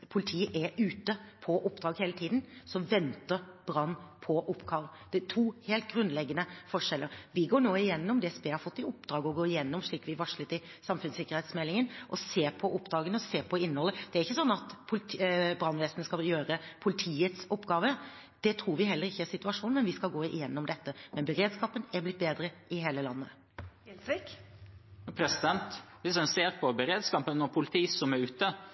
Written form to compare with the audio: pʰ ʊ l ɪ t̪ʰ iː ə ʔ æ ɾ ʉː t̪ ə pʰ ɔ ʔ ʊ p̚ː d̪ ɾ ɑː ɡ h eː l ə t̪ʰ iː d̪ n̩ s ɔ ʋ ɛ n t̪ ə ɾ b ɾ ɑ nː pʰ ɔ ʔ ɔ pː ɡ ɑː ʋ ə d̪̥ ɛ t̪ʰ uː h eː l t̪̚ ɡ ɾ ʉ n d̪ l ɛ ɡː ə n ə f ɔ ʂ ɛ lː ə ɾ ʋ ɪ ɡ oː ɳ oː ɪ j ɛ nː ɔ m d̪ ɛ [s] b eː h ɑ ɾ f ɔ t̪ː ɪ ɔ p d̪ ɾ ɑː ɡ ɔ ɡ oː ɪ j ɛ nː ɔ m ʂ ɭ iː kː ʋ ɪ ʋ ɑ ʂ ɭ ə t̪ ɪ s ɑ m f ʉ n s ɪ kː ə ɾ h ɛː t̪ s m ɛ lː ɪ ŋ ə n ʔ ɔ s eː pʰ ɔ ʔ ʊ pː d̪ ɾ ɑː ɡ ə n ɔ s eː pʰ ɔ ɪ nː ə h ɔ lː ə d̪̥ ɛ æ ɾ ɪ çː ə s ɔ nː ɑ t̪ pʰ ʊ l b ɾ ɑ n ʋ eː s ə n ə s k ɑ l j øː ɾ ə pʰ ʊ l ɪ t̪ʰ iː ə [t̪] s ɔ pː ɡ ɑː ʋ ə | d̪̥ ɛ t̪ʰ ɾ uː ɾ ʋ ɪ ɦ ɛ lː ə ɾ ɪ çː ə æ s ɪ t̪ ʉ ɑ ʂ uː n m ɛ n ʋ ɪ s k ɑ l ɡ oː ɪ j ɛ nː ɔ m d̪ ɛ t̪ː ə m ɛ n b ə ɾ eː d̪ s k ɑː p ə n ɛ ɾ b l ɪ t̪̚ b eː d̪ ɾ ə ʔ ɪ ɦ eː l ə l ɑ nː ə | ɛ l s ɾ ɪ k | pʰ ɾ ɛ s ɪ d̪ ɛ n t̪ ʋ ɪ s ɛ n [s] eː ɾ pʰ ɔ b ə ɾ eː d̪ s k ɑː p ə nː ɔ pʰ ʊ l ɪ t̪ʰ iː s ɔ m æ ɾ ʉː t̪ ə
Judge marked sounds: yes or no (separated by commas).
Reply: yes, yes, yes